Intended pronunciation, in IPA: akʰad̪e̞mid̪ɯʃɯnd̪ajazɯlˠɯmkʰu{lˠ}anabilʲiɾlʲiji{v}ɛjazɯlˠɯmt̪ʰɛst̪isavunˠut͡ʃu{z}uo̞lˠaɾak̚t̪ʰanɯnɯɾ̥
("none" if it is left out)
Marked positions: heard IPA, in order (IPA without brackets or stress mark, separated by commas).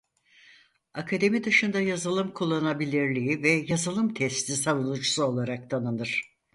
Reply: lˠː, v, s